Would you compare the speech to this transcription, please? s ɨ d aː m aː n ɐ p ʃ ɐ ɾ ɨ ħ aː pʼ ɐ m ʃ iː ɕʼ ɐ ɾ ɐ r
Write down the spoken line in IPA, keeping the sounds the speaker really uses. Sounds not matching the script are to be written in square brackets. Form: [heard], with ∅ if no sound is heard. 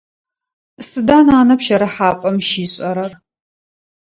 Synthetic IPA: s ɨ d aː [n] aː n ɐ p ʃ ɐ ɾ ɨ ħ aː pʼ ɐ m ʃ iː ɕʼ ɐ ɾ ɐ r